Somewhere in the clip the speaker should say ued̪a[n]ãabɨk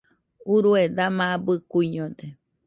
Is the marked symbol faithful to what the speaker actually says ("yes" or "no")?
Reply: no